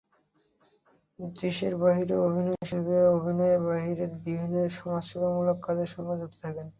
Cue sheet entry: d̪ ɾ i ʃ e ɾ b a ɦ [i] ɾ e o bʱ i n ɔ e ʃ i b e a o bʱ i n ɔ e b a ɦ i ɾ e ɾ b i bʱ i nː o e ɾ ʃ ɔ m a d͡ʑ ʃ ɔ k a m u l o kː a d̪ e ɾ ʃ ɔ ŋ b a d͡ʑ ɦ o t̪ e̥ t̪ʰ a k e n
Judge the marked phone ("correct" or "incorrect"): correct